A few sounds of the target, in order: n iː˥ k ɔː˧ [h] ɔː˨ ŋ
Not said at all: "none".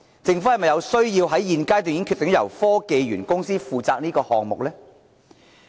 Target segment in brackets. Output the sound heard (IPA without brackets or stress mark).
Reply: h